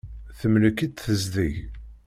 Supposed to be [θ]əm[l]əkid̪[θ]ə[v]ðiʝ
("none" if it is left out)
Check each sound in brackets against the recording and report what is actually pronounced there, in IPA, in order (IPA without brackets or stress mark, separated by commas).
θ, l, θ, z